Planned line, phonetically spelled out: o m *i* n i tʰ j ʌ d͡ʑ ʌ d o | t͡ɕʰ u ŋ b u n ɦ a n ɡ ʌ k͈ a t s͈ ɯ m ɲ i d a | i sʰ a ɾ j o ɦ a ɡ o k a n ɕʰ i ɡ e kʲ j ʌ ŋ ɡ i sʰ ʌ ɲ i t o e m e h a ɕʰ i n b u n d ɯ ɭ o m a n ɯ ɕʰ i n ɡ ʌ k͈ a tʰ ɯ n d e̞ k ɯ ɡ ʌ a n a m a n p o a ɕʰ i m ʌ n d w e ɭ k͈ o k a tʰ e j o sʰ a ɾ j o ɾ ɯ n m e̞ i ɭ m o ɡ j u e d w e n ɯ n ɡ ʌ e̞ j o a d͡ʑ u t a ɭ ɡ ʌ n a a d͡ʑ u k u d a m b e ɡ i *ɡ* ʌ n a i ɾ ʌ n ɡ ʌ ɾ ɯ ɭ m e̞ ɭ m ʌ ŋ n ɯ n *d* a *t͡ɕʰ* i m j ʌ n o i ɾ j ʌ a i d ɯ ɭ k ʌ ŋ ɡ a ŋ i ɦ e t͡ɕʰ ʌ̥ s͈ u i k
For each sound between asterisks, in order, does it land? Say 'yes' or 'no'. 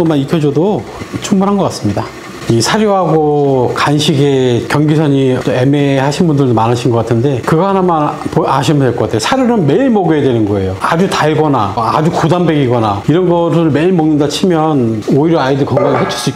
no, yes, yes, yes

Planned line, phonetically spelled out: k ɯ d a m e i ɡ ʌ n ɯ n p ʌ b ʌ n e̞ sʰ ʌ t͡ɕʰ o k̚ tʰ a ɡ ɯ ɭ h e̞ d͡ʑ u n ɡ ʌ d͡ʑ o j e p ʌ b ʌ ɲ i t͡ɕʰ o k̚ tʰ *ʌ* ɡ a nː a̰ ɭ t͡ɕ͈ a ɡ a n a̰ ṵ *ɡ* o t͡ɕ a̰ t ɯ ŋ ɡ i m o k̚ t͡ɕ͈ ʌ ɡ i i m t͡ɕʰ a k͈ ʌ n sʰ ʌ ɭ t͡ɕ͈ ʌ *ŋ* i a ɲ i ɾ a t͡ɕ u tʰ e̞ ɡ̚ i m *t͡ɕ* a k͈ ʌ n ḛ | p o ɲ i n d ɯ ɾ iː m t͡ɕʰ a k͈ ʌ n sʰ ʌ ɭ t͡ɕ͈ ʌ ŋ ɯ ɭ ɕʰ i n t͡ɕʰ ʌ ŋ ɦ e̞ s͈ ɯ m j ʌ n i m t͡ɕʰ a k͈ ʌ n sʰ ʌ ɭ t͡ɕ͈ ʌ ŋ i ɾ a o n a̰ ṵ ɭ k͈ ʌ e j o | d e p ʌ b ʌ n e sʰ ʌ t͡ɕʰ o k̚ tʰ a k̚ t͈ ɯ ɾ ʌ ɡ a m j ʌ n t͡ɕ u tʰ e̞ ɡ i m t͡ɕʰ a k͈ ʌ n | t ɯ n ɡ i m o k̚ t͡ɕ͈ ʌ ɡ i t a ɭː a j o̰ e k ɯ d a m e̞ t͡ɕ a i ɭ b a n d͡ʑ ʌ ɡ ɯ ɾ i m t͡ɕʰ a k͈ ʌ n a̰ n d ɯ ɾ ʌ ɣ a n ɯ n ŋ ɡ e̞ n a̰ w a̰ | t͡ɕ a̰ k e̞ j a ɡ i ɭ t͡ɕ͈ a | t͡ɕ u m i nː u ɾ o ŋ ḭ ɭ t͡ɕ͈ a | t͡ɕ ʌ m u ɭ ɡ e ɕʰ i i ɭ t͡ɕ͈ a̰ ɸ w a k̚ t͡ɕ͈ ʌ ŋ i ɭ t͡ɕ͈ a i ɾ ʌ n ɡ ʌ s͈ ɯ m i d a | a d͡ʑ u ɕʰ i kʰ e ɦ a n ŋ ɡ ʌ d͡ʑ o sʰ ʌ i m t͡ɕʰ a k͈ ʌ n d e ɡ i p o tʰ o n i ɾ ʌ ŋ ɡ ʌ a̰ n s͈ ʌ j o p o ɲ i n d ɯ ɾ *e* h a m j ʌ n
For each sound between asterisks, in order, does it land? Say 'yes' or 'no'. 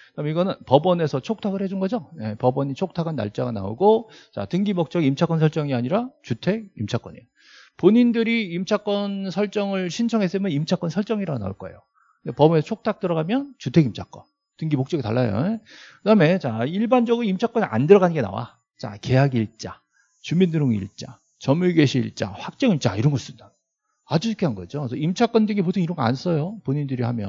no, yes, yes, no, no

